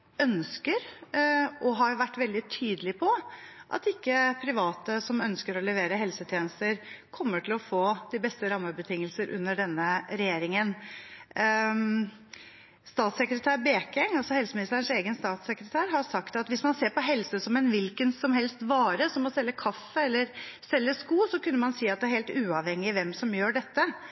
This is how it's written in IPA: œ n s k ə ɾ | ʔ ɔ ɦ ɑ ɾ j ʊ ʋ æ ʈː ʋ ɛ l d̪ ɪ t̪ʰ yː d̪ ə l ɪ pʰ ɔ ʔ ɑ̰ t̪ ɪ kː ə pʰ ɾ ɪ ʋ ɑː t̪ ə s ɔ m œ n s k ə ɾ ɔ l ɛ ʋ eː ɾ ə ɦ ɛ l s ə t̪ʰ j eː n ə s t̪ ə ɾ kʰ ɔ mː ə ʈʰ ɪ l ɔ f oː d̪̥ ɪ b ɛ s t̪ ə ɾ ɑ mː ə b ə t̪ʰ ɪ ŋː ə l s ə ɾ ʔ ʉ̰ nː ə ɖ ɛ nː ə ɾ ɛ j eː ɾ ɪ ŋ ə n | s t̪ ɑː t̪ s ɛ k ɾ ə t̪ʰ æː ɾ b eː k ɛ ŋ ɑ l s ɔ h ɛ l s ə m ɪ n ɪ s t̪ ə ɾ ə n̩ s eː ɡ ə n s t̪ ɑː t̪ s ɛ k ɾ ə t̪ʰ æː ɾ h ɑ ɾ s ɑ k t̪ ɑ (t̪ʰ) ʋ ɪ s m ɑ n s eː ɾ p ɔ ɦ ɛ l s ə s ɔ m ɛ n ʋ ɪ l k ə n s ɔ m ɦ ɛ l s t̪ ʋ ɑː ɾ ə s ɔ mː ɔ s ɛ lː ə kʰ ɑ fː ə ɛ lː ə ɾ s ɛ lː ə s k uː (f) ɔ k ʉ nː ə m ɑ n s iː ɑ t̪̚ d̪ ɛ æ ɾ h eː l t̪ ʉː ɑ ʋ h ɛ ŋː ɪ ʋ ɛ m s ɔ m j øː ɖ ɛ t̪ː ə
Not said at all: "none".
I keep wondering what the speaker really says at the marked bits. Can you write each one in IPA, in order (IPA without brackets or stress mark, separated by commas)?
t̪, s